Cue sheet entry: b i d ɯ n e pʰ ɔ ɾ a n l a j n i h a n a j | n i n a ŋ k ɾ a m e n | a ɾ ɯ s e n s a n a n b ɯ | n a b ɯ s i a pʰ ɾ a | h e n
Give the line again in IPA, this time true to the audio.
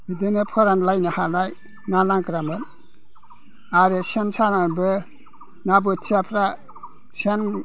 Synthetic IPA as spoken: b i d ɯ n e pʰ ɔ ɾ a n l a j n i h a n a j | n a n a ŋ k ɾ a m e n | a ɾ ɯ s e n s a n a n b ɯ | n a b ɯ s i a pʰ ɾ a | s e n